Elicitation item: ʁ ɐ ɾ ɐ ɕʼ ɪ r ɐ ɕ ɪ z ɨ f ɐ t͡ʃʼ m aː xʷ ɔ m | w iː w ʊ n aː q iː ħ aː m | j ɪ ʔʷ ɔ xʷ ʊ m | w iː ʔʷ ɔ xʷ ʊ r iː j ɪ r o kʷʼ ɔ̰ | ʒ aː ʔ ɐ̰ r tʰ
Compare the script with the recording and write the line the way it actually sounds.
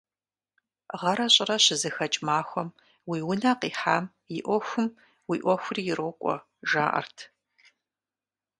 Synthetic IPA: ʁ ɐ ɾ ɐ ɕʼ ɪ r ɐ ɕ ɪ z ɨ x ɐ t͡ʃʼ m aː xʷ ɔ m | w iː w ʊ n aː q iː ħ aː m | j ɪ ʔʷ ɔ xʷ ʊ m | w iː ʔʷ ɔ xʷ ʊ r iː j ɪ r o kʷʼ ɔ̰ | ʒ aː ʔ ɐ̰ r tʰ

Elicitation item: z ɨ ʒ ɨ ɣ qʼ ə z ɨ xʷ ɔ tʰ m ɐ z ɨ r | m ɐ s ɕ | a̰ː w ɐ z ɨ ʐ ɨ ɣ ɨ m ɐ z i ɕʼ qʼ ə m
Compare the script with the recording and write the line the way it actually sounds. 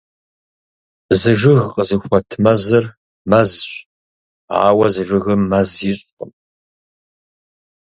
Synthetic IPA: z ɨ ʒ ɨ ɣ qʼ ə z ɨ xʷ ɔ tʰ m ɐ z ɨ r | m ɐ z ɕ | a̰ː w ɐ z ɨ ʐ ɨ ɣ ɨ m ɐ z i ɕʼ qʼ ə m

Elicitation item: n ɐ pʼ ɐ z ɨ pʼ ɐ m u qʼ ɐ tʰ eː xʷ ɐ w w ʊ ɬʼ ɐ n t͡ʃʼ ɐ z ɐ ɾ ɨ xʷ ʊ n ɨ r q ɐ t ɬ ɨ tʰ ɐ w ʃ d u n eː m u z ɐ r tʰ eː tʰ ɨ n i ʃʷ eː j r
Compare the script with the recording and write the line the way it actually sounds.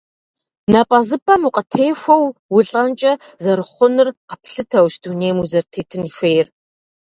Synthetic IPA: n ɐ pʼ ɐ z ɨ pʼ ɐ m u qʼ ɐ tʰ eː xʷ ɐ w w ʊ ɬʼ ɐ n t͡ʃʼ ɐ z ɐ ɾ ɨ χʷ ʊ n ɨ r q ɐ p ɬ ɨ tʰ ɐ w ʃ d u n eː m u z ɐ r tʰ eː tʰ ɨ n i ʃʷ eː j r

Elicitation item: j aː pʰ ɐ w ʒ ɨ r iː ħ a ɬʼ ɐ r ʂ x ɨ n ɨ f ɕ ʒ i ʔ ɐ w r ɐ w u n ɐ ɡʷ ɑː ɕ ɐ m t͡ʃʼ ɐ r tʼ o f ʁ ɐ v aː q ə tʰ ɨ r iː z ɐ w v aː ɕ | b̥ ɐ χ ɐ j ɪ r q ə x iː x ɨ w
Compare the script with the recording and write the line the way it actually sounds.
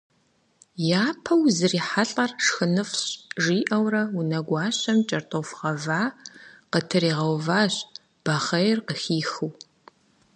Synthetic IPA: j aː pʰ ɐ w z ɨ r iː ħ a ɬʼ ɐ r ʂ x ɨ n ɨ f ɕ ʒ iː ʔ ɐ w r ɐ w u n ɐ ɡʷ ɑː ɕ ɐ m t͡ʃʼ ɐ r tʼ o f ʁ ɐ v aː q ə tʰ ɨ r iː ʁ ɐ w v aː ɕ | b̥ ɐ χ ɐ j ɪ r q ə x iː x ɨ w

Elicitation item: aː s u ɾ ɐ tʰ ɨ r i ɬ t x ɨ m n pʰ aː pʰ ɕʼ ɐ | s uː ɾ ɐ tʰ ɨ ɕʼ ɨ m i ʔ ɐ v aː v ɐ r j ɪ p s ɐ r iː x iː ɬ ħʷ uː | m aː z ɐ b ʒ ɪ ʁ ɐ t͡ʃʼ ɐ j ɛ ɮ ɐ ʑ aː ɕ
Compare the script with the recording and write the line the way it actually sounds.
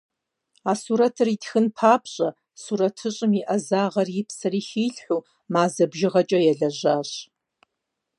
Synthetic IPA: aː s u ɾ ɐ tʰ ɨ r i t x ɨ n pʰ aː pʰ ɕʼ ɐ | s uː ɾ ɐ tʰ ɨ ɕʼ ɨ m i ʔ ɐ z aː ʁ ɐ r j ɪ p s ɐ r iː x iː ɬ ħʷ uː | m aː z ɐ b ʒ ɪ ʁ ɐ t͡ʃʼ ɐ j ɛ ɮ ɐ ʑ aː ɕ

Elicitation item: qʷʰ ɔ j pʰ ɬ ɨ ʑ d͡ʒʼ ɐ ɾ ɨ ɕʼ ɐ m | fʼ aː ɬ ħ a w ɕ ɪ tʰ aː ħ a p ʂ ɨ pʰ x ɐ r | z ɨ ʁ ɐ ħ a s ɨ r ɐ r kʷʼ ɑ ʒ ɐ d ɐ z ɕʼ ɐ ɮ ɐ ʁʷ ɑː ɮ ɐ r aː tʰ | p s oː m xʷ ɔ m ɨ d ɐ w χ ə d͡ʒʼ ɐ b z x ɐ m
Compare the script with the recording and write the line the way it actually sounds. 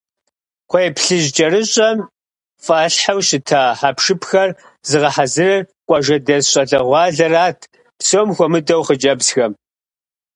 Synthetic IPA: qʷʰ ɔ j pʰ ɬ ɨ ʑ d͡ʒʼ ɐ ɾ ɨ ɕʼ ɐ m | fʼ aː ɬ ħ a w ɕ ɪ tʰ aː ħ a p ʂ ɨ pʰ x ɐ r | z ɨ ʁ ɐ ħ a z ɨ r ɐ r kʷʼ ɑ ʒ ɐ d ɐ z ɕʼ ɐ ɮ ɐ ʁʷ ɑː ɮ ɐ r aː tʰ | p s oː m xʷ ɔ m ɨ d ɐ w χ ə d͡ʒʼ ɐ b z x ɐ m

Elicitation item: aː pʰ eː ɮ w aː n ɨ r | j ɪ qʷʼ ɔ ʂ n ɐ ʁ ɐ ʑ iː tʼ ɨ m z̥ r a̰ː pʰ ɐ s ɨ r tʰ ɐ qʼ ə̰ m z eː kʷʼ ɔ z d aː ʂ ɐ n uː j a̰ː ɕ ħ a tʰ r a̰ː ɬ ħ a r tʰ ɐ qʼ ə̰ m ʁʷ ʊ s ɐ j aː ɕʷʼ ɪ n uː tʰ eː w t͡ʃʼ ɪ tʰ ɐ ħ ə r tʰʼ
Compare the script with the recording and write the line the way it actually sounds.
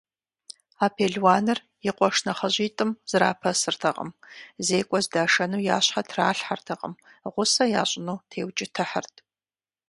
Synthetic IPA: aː pʰ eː ɮ w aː n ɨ r | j ɪ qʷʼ ɔ ʂ n ɐ χ ɐ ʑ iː tʼ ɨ m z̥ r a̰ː pʰ ɐ s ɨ r tʰ ɐ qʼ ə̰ m z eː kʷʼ ɔ z d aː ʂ ɐ n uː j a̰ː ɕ ħ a tʰ r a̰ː ɬ ħ a r tʰ ɐ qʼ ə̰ m ʁʷ ʊ s ɐ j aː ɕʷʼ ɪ n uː tʰ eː w t͡ʃʼ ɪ tʰ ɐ ħ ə r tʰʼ

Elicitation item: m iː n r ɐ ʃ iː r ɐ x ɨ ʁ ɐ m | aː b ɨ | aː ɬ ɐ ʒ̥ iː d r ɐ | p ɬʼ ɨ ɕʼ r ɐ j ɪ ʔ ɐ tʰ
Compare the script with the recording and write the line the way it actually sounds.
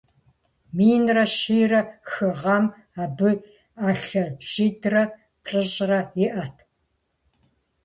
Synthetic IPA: m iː n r ɐ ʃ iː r ɐ x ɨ ʁ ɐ m | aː b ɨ | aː ɬ ɐ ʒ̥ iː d r ɐ | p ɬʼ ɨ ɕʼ r ɐ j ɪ ʔ ɐ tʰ

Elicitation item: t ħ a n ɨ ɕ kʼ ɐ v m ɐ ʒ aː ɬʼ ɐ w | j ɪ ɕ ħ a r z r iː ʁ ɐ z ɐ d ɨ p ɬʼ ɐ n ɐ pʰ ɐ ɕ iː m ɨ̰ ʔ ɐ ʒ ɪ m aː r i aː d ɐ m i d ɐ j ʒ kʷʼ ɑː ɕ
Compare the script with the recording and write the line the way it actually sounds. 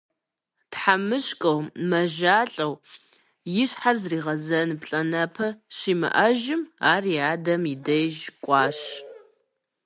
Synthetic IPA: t ħ a m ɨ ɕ kʼ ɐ w m ɐ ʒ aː ɬʼ ɐ w | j ɪ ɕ ħ a r z r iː ʁ ɐ z ɐ n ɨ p ɬʼ ɐ n ɐ pʰ ɐ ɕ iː m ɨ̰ ʔ ɐ ʒ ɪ m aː r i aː d ɐ m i d ɐ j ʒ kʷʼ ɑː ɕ

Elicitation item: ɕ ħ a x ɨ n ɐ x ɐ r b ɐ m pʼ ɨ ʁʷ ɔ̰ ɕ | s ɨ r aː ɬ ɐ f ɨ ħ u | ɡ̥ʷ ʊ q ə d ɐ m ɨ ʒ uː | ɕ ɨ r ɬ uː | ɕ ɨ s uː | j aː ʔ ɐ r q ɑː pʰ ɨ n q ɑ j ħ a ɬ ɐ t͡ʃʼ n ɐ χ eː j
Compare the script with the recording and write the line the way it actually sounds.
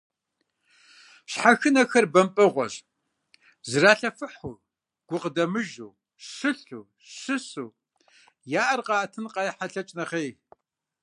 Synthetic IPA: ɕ ħ a x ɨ n ɐ x ɐ r b ɐ m pʼ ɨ ʁʷ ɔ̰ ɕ | z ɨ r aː ɬ ɐ f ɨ ħ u | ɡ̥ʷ ʊ q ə d ɐ m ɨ ʒ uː | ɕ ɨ ɬ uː | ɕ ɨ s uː | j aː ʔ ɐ r q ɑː tʰ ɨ n q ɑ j ħ a ɬ ɐ t͡ʃʼ n ɐ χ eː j

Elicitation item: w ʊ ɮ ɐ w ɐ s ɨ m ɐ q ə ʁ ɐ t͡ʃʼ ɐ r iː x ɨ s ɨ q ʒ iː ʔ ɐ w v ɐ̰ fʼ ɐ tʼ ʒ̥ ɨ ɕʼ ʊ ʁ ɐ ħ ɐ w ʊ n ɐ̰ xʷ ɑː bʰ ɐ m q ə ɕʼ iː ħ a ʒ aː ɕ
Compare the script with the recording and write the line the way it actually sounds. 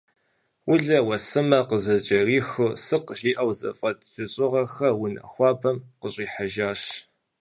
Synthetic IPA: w ʊ ɮ ɐ w ɐ s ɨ m ɐ q ə z ɐ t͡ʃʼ ɐ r iː x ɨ s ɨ q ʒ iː ʔ ɐ w z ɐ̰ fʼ ɐ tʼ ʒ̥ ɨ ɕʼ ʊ ʁ ɐ x ɐ w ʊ n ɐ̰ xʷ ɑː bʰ ɐ m q ə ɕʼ iː ħ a ʒ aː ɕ

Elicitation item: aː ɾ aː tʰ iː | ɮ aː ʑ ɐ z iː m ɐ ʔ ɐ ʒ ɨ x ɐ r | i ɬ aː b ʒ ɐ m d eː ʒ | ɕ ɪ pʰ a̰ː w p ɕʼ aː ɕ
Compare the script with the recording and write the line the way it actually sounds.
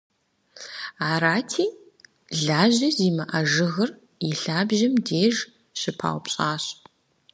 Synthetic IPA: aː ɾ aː tʰ iː | ɮ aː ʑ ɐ z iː m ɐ ʔ ɐ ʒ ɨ ɣ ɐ r | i ɬ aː b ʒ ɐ m d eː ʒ | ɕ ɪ pʰ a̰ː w p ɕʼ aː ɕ

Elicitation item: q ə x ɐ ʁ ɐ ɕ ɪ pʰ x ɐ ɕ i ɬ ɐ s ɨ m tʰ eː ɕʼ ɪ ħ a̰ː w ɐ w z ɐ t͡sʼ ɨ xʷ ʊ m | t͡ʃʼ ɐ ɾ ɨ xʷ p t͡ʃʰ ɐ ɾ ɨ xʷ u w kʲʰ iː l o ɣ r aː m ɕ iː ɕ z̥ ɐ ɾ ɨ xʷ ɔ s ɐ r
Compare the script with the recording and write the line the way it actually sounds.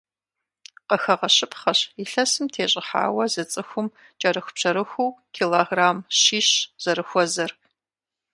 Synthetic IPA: q ə x ɐ ʁ ɐ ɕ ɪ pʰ χ ɐ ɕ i ɬ ɐ s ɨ m tʰ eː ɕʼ ɪ ħ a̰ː w ɐ z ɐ t͡sʼ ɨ xʷ ʊ m | t͡ʃʼ ɐ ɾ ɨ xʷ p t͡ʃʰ ɐ ɾ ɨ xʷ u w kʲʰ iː l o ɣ r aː m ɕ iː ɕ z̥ ɐ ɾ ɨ xʷ ɔ z ɐ r

